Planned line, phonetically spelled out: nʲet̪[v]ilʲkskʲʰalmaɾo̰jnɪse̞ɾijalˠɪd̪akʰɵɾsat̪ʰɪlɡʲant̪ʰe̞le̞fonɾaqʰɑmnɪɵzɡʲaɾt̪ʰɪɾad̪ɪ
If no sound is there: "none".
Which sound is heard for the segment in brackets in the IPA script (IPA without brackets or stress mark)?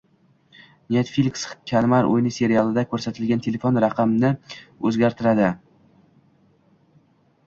f